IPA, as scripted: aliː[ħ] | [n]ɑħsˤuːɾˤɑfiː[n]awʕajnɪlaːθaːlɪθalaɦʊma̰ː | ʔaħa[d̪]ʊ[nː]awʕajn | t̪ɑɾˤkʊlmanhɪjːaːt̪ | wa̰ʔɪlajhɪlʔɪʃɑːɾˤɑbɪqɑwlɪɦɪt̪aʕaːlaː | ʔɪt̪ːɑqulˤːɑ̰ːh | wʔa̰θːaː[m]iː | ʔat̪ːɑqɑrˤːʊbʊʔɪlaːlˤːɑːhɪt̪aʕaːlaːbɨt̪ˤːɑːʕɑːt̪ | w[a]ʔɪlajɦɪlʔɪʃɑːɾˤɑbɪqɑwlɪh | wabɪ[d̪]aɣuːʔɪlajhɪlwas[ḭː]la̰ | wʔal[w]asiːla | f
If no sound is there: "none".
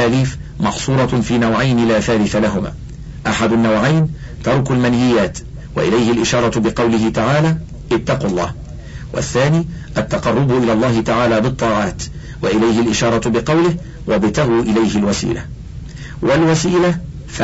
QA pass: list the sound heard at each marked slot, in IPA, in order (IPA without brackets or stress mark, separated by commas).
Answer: f, m, n, d̪, nː, n, a, t̪, ḭː, w